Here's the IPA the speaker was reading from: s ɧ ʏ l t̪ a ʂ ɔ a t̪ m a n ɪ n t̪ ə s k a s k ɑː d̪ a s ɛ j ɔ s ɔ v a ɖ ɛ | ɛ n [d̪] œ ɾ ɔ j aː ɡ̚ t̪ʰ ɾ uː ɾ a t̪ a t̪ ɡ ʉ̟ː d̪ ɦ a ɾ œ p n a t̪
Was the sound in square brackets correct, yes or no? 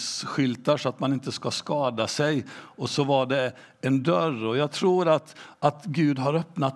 yes